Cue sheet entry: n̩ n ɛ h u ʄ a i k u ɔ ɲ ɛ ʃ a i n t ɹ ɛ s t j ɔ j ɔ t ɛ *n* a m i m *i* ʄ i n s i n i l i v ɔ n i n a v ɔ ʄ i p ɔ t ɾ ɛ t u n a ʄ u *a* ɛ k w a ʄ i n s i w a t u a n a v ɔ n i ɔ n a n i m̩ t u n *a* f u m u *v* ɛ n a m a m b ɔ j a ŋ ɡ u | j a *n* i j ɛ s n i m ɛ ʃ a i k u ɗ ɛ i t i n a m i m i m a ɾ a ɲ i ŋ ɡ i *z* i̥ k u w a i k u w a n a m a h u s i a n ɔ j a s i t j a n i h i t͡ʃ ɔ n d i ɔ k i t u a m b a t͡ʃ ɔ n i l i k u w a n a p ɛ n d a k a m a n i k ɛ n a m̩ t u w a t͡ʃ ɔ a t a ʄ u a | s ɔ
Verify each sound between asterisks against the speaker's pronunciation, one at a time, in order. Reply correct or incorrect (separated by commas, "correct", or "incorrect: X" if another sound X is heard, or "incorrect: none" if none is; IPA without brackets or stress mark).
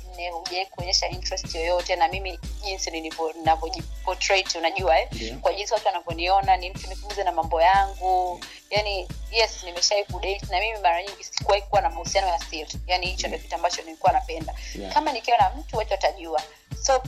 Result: correct, correct, correct, incorrect: i, incorrect: z, correct, incorrect: s